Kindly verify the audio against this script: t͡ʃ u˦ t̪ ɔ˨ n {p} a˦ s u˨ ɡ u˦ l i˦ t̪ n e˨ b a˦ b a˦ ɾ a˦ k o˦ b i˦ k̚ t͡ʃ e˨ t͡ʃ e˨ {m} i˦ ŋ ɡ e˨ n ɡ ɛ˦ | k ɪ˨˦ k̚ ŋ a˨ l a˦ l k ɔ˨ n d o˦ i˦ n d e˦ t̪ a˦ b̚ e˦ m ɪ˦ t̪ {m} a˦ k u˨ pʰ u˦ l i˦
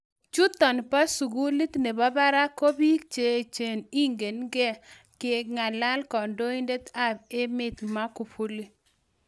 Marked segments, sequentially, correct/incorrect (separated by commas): correct, incorrect, correct